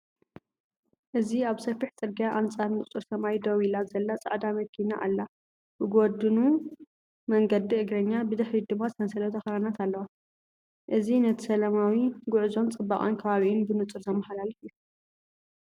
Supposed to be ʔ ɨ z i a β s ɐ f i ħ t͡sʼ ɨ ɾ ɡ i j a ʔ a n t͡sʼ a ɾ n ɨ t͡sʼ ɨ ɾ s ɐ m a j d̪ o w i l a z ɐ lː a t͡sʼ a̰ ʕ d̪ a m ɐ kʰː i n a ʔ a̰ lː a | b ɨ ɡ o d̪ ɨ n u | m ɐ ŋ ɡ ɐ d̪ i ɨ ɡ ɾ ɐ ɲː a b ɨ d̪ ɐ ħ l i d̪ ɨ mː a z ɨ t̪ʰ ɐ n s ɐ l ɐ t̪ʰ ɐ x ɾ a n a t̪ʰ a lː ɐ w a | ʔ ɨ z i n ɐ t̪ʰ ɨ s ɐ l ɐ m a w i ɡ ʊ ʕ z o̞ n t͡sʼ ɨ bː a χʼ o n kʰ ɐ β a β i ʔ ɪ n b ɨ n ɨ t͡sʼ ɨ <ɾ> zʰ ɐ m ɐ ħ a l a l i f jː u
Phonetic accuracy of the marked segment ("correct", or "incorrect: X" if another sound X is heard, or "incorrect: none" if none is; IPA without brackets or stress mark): correct